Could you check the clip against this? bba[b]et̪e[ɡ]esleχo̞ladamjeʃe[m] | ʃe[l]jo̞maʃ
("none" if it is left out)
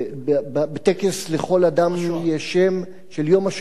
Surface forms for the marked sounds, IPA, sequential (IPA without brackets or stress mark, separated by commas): b, k, m, l